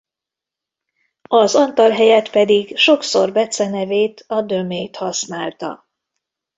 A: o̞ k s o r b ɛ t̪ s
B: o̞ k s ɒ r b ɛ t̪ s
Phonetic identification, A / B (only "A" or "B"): A